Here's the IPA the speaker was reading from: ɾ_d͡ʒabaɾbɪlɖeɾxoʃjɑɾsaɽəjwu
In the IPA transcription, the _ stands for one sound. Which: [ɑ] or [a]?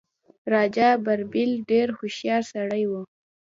ɑ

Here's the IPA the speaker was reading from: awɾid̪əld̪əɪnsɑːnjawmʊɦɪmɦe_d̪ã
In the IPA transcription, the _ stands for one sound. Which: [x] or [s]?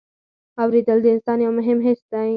s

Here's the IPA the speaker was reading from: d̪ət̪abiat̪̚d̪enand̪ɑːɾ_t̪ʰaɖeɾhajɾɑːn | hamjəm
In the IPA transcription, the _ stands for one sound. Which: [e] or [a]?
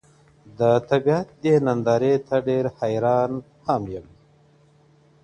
e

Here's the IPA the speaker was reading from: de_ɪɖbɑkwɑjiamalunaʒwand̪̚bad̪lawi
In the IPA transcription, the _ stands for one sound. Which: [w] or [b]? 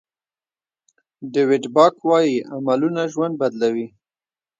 w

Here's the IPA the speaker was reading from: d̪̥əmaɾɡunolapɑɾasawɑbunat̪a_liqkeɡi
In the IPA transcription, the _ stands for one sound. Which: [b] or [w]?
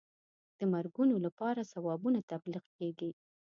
b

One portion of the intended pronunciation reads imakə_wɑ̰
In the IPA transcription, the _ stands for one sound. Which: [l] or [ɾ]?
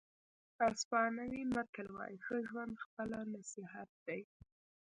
l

